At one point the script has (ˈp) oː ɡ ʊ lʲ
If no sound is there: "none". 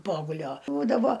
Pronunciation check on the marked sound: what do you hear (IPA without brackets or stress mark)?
p